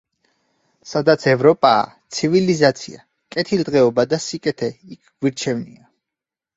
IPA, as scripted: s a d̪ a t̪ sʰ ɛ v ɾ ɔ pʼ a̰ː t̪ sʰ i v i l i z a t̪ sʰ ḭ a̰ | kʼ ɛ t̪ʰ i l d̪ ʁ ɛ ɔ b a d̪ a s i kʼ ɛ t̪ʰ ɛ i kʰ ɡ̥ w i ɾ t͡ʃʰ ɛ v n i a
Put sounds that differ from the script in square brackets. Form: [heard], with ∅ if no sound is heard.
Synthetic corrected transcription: s a d̪ a t̪ sʰ ɛ v ɾ ɔ pʼ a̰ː t̪ sʰ i v i l i z a t̪ sʰ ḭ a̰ | kʼ ɛ t̪ʰ i l d̪ ʁ ɛ ɔ b a d̪ a s i kʼ ɛ t̪ʰ ɛ i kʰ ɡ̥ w i ɾ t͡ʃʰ ɛ v n i a